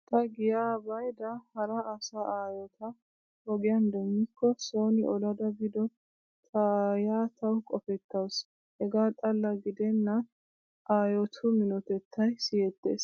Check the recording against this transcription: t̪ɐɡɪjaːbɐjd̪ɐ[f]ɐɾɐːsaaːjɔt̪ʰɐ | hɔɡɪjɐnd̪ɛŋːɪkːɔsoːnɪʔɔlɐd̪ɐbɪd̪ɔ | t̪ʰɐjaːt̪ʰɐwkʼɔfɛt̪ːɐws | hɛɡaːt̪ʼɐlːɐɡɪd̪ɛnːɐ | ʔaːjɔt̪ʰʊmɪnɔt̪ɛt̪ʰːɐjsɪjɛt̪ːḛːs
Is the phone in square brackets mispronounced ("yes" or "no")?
yes